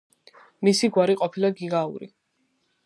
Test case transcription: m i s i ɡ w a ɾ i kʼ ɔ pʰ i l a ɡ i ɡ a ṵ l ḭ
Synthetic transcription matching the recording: m i s i ɡ w a ɾ i qʼ ɔ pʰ i l a ɡ i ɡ a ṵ ɾ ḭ